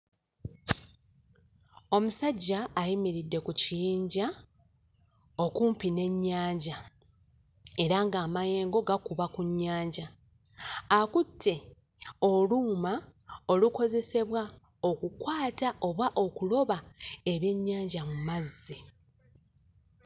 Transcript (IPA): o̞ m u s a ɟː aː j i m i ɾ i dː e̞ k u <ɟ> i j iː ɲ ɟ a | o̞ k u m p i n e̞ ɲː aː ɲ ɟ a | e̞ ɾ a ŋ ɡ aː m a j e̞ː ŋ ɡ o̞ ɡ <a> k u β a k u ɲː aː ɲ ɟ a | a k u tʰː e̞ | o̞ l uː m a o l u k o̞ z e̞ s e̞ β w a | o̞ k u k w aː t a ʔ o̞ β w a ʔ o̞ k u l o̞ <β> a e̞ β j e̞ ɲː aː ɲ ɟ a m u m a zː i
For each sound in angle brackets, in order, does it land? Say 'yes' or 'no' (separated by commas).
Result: no, yes, yes